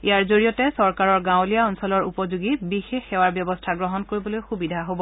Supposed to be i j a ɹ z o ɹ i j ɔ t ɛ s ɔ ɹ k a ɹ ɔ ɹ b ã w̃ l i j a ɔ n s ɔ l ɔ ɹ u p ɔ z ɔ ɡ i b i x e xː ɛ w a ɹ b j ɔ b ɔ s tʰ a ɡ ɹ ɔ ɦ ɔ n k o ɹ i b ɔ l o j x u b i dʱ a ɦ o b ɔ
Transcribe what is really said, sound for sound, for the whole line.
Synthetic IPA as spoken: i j a ɹ z o ɹ i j ɔ t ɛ s ɔ ɹ k a ɹ ɔ ɹ ɡ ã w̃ l i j a ɔ n s ɔ l ɔ ɹ u p ɔ z u ɡ i b i x e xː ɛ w a ɹ b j ɔ b ɔ s tʰ a ɡ ɹ ɔ ɦ ɔ n k o ɹ i b ɔ l o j x u b i dʱ a ɦ o b ɔ

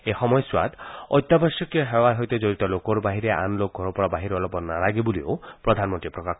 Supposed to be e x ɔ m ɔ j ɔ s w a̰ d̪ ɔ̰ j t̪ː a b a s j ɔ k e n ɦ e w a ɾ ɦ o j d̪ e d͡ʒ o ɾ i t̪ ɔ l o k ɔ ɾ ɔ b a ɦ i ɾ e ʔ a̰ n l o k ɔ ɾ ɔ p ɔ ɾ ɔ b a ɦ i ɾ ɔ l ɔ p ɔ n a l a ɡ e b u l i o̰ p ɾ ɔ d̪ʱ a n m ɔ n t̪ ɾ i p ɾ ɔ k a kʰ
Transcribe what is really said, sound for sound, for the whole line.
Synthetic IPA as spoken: e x ɔ m ɔ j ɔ s w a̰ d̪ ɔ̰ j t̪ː a b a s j ɔ k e ɦ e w a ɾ ɦ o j t̪ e d͡ʒ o ɾ i t̪ ɔ l o k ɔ ɾ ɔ b a ɦ i ɾ e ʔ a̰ n l o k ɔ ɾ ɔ p ɔ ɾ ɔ b a ɦ i ɾ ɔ l ɔ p ɔ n a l a ɡ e b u l i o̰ p ɾ ɔ d̪ʱ a n m ɔ n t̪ ɾ i p ɾ ɔ k a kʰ

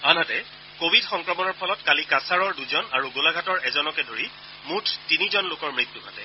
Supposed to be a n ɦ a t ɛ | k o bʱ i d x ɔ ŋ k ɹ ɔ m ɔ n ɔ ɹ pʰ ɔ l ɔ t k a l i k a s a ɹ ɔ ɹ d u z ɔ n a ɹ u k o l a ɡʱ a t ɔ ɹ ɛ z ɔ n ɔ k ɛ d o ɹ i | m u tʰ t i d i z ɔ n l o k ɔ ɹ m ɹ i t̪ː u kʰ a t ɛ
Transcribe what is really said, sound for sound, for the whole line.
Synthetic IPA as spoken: a n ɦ a t ɛ | k o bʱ i d x ɔ ŋ k ɹ ɔ m ɔ n ɔ ɹ pʰ ɔ l ɔ t k a l i k a s a ɹ ɔ ɹ d u z ɔ n a ɹ u ɡ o l a ɡʱ a t ɔ ɹ ɛ z ɔ n ɔ k ɛ d o ɹ i | m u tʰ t i n i z ɔ n l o k ɔ ɹ m ɹ i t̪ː u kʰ a t ɛ

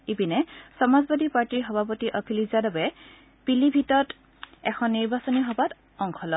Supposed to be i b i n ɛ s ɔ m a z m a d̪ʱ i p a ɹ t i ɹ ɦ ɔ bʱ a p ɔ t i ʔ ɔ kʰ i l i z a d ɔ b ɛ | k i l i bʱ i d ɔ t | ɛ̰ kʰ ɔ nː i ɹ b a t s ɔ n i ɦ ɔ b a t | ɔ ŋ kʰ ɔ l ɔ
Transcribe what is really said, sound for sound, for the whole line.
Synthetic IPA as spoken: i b i n ɛ s ɔ m a z b a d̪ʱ i p a ɹ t i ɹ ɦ ɔ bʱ a p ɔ t i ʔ ɔ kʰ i l i z a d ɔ b ɛ | p i l i bʱ i t ɔ t | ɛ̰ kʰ ɔ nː i ɹ b a s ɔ n i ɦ ɔ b a t | ɔ ŋ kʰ ɔ l ɔ

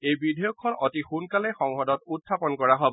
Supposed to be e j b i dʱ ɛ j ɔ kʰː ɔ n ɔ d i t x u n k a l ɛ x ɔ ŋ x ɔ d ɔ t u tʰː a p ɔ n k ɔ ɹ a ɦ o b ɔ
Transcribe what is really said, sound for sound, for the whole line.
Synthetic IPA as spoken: e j b i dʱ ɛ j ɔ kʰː ɔ n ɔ t i x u n k a l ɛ x ɔ ŋ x ɔ d ɔ t u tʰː a p ɔ n k ɔ ɹ a ɦ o b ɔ

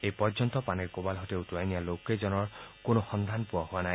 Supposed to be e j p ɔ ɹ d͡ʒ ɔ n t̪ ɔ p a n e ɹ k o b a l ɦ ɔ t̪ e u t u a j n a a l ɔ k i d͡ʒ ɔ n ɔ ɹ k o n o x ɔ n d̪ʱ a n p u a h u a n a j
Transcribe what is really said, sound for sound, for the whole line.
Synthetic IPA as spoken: e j p ɔ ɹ d͡ʒ ɔ n t̪ ɔ p a n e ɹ k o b a l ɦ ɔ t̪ e u t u a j n i a l o k e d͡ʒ ɔ n ɔ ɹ k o n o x ɔ n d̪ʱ a n p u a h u a n a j

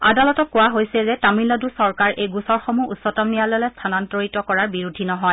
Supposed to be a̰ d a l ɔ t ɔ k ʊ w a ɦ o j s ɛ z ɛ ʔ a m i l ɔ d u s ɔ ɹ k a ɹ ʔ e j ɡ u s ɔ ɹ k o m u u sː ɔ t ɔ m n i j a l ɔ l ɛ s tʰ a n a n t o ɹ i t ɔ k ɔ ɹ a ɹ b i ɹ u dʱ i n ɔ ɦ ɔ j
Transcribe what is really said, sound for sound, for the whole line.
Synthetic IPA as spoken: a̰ d a l ɔ t ɔ k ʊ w a ɦ o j s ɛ z ɛ t a m i l ɔ d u s ɔ ɹ k a ɹ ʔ e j ɡ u s ɔ ɹ x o m u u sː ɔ t ɔ m n i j a l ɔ l ɛ s tʰ a n a n t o ɹ i t ɔ k ɔ ɹ a ɹ b i ɹ u dʱ i n ɔ ɦ ɔ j

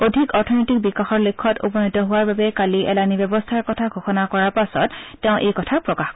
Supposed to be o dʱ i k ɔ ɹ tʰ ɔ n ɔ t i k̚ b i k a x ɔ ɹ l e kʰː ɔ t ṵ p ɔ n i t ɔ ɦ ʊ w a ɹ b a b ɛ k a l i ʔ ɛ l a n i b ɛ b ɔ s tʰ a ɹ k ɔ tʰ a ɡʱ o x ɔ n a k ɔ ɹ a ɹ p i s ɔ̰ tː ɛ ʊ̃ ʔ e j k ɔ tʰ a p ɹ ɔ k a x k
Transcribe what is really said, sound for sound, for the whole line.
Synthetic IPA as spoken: o dʱ i k ɔ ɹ tʰ ɔ n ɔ t i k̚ b i k a x ɔ ɹ l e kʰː ɔ t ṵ p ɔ n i t ɔ ɦ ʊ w a ɹ b a b ɛ k a l i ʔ ɛ l a n i b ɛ b ɔ s tʰ a ɹ k ɔ tʰ a ɡʱ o x ɔ n a k ɔ ɹ a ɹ p a s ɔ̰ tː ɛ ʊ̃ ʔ e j k ɔ tʰ a p ɹ ɔ k a x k

